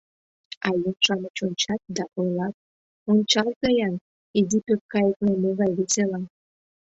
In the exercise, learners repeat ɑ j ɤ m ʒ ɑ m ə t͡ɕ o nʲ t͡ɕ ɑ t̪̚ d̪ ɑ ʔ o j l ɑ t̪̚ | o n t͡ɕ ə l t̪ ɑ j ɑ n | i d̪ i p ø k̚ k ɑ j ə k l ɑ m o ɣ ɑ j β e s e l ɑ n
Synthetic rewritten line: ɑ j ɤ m ʃ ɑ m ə t͡ɕ o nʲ t͡ɕ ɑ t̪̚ d̪ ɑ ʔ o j l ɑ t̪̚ | o n t͡ɕ ɑ l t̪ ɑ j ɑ n | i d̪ i p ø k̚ k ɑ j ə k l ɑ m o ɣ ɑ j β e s e l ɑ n